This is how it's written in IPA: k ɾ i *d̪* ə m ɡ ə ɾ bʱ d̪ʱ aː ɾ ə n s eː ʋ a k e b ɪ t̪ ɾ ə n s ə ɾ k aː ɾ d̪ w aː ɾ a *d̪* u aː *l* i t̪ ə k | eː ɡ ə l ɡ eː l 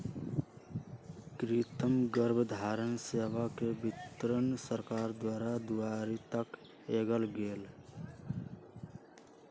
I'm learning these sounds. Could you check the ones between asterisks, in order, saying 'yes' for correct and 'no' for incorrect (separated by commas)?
no, yes, no